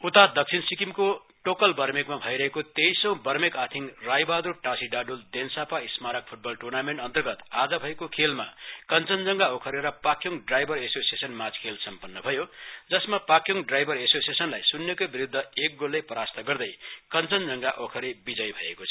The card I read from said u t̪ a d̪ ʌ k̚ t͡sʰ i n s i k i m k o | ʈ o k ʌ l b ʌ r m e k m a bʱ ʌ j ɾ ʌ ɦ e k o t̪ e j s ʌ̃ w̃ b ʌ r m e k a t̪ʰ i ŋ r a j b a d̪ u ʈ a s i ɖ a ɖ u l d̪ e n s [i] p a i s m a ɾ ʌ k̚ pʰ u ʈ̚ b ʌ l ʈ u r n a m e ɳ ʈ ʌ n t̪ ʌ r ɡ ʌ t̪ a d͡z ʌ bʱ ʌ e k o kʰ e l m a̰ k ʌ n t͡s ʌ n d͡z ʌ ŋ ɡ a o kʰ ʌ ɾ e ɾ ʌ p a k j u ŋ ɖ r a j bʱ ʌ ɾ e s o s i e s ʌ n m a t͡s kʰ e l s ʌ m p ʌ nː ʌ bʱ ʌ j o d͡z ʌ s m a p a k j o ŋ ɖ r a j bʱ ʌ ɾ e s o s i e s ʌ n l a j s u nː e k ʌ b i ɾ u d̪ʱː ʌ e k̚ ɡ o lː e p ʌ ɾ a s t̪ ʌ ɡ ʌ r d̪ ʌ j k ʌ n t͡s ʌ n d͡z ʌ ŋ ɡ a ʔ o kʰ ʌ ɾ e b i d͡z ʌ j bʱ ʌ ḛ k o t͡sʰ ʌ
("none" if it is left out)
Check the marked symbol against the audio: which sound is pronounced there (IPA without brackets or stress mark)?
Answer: a